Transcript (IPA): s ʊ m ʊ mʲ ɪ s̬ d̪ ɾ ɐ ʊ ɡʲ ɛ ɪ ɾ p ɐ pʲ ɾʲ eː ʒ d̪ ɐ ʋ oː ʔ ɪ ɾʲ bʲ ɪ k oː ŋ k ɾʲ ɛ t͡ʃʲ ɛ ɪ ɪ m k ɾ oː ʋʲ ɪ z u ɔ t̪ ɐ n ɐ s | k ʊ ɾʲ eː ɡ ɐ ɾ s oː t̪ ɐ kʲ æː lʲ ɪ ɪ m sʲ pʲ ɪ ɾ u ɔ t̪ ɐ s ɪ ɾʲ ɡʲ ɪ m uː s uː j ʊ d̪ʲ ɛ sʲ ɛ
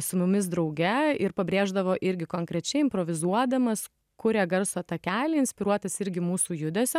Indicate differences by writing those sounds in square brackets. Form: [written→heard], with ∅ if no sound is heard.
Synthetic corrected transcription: s ʊ m ʊ mʲ ɪ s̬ d̪ ɾ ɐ ʊ ɡʲ ɛ ɪ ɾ p ɐ [pʲ→bʲ] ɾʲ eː ʒ d̪ ɐ ʋ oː ʔ ɪ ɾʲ [bʲ→ɡʲ] ɪ k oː ŋ k ɾʲ ɛ t͡ʃʲ ɛ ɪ ɪ m [k→p] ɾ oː ʋʲ ɪ z u ɔ [t̪→d̪] ɐ [n→m] ɐ s | k ʊ ɾʲ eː ɡ ɐ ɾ s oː t̪ ɐ kʲ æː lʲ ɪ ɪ [m→n] sʲ pʲ ɪ ɾ u ɔ t̪ ɐ s ɪ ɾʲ ɡʲ ɪ m uː s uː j ʊ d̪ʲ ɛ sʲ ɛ